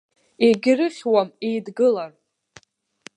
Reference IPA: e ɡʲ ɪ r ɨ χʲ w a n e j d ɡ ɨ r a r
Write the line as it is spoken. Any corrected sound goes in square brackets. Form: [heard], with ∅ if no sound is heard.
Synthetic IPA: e ɡʲ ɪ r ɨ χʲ w a [m] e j d ɡ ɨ [l] a r